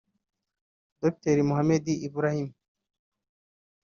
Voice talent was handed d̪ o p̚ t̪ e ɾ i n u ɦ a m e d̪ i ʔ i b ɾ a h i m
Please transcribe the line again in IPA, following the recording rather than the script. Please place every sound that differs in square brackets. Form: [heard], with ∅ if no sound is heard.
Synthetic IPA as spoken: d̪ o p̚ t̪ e ɾ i [m] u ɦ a m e d̪ i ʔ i b ɾ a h i m